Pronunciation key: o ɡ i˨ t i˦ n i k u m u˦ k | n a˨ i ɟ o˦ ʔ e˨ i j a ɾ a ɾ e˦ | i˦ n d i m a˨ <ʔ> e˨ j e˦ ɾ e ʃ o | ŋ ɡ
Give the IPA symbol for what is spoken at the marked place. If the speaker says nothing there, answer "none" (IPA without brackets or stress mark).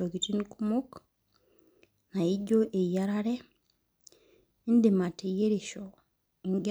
t